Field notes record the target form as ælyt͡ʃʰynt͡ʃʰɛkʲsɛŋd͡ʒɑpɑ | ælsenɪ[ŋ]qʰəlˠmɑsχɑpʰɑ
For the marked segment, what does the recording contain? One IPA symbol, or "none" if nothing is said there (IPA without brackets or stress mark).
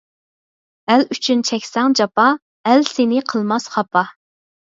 none